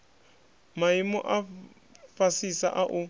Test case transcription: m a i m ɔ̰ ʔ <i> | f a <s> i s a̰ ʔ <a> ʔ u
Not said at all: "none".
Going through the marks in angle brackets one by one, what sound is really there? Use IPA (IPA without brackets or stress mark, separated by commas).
a, s, a